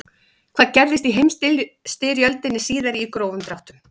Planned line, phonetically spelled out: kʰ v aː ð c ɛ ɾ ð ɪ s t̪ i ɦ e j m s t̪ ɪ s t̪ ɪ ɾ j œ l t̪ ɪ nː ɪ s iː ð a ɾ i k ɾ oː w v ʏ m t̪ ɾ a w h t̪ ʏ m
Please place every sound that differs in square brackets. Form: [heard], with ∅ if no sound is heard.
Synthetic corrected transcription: kʰ v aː ð c ɛ ɾ ð ɪ s t̪ i ɦ e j m s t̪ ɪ s t̪ ɪ ɾ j œ l t̪ ɪ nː ɪ s iː ð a ɾ i k ɾ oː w v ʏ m t̪ ɾ a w h t̪ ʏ m